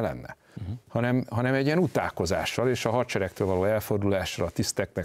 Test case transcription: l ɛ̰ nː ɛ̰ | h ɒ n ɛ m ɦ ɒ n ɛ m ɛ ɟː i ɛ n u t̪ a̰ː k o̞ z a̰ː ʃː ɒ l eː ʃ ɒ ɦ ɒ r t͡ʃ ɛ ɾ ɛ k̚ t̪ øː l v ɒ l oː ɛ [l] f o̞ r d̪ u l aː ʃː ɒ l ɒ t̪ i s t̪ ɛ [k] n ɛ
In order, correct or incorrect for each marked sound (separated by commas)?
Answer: correct, correct